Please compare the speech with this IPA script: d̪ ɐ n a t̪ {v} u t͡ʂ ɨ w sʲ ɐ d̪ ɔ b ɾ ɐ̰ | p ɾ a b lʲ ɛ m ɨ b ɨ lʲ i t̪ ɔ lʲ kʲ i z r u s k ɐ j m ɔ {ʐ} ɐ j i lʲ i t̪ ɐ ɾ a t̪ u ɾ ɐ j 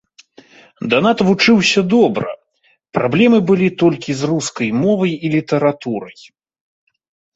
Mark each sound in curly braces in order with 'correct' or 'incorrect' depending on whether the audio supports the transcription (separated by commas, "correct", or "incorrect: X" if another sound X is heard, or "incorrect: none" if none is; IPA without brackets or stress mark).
correct, incorrect: v